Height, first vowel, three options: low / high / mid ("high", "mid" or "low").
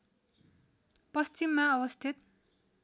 mid